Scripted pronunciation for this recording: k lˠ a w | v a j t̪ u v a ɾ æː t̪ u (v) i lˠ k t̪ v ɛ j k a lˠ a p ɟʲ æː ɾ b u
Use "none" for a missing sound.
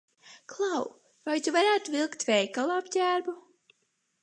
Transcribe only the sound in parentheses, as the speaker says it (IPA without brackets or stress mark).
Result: v